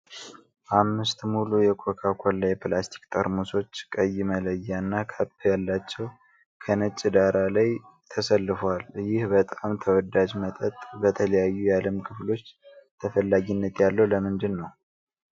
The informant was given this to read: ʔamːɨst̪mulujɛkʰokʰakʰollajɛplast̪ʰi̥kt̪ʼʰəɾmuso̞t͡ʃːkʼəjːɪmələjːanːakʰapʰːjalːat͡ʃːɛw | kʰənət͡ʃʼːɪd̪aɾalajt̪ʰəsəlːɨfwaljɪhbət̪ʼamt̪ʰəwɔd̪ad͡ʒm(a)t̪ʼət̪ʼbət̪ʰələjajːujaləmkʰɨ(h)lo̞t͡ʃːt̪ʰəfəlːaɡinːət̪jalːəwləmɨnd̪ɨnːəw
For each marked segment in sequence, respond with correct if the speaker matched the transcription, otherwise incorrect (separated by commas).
incorrect, incorrect